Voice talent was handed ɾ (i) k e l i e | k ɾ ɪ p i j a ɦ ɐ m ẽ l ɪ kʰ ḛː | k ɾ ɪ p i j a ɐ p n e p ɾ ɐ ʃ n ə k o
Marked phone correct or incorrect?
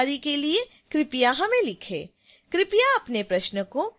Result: correct